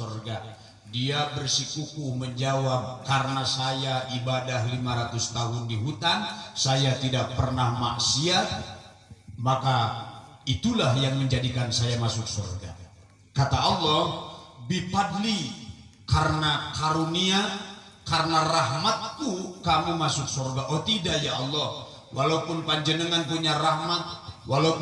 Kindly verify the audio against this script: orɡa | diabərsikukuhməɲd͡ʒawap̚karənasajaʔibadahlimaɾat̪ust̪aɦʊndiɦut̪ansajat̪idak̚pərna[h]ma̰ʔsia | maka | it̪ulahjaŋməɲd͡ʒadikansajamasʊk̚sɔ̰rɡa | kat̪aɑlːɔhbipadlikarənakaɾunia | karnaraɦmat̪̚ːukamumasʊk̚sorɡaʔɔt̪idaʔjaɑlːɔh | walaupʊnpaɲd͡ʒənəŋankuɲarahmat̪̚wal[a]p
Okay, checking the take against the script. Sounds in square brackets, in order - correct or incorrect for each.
correct, correct

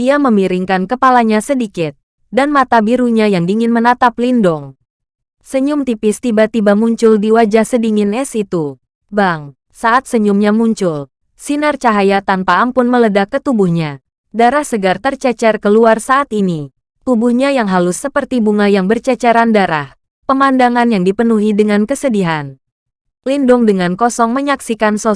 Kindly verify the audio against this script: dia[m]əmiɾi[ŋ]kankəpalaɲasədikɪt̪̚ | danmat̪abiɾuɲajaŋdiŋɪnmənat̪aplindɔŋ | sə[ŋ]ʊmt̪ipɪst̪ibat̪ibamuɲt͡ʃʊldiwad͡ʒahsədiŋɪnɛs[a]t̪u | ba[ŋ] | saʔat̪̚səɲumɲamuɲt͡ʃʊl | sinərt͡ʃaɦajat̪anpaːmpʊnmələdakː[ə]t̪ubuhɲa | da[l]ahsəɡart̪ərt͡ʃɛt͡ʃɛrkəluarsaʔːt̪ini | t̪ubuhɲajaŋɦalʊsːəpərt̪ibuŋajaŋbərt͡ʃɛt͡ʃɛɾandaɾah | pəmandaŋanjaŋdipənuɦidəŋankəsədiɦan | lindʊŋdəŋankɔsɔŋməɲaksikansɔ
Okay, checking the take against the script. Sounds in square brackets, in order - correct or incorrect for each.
correct, correct, incorrect: ɲ, incorrect: i, correct, correct, incorrect: ɾ

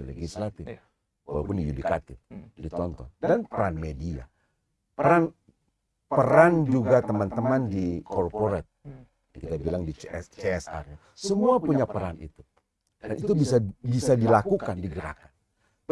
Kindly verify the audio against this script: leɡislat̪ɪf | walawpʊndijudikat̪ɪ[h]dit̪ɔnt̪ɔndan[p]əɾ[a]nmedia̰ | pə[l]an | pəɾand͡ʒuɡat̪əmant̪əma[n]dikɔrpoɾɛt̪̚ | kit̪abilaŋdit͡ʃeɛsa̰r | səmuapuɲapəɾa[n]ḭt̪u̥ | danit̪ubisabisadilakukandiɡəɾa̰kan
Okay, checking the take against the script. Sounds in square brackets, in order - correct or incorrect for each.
incorrect: f, correct, correct, incorrect: ɾ, correct, correct

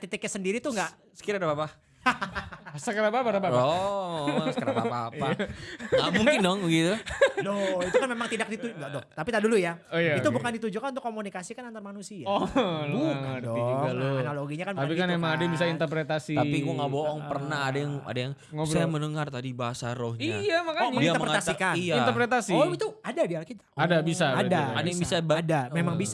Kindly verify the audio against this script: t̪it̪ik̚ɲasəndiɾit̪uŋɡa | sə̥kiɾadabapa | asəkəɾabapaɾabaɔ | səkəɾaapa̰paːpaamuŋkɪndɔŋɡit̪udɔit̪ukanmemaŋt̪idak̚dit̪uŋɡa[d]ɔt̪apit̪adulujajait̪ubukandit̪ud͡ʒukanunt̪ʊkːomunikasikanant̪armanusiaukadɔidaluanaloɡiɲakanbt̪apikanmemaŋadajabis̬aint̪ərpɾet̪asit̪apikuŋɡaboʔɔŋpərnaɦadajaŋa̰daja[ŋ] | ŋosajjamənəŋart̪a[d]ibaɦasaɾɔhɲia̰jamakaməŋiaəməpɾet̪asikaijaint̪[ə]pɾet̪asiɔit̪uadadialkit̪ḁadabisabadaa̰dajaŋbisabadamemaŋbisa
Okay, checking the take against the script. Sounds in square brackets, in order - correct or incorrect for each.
correct, correct, correct, correct

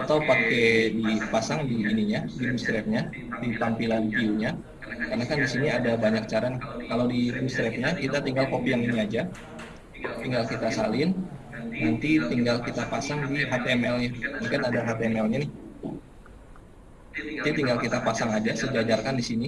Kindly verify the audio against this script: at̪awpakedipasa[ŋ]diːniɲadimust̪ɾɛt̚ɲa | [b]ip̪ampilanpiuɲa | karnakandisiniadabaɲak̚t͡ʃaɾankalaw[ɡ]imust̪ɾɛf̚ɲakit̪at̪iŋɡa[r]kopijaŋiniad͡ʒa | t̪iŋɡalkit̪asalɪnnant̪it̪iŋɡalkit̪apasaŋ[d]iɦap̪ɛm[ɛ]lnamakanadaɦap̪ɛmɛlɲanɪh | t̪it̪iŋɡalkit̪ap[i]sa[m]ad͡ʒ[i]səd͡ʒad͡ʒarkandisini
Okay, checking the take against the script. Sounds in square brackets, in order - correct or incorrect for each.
correct, incorrect: d, incorrect: d, incorrect: l, correct, correct, incorrect: a, incorrect: ŋ, incorrect: a

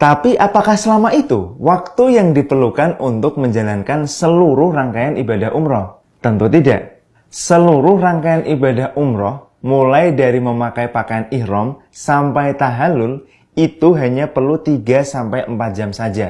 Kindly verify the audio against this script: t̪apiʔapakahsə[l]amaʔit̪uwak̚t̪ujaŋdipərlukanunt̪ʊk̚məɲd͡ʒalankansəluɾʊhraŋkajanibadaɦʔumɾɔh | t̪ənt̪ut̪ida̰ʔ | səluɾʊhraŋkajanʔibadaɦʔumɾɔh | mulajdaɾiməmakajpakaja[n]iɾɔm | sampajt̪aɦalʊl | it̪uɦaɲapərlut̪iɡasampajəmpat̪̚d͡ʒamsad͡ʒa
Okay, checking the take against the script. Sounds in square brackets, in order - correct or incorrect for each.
correct, correct

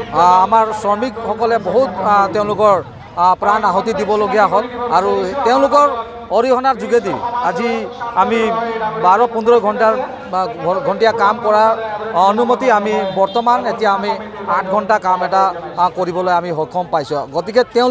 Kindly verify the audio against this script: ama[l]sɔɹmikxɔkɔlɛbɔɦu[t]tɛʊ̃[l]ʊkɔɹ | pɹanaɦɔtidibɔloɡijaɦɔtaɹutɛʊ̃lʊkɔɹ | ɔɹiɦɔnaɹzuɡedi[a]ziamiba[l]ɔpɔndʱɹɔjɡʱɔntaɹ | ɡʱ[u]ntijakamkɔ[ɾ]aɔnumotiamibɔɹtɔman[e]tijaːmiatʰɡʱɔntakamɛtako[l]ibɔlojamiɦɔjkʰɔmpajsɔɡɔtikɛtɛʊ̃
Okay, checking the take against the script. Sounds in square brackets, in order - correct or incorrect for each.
incorrect: ɹ, correct, correct, correct, incorrect: ɹ, incorrect: ɔ, incorrect: ɹ, correct, incorrect: ɹ

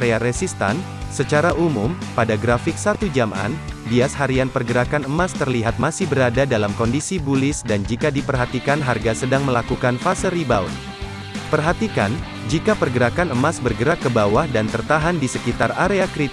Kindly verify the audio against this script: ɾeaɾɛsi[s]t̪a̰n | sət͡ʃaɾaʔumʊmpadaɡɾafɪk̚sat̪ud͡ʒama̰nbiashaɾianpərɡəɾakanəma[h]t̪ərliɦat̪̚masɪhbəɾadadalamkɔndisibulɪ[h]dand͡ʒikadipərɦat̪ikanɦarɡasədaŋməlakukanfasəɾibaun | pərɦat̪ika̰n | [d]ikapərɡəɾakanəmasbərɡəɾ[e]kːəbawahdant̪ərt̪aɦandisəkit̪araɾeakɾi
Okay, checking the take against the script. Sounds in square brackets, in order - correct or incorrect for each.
correct, incorrect: s, incorrect: s, incorrect: d͡ʒ, incorrect: a

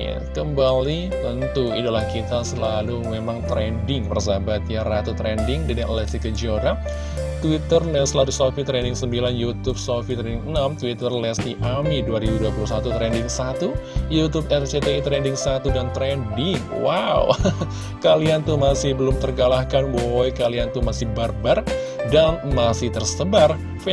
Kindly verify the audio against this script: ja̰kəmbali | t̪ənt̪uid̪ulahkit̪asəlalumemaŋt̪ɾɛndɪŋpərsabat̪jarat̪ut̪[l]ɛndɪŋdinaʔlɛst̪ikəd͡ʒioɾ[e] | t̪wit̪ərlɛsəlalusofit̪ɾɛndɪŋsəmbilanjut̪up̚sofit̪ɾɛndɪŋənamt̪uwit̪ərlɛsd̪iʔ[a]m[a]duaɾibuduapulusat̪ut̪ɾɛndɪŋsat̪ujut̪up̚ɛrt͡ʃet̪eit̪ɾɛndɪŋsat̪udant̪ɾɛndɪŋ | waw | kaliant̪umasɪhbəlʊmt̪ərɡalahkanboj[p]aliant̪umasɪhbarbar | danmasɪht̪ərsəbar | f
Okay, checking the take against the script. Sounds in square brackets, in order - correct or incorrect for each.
incorrect: ɾ, incorrect: a, correct, incorrect: i, incorrect: k

